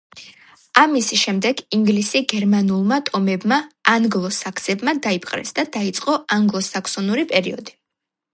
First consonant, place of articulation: labial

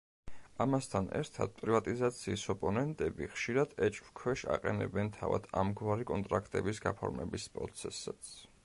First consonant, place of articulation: labial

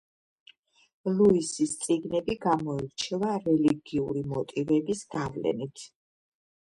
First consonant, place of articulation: alveolar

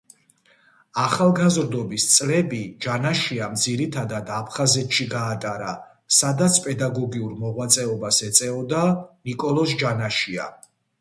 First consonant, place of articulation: uvular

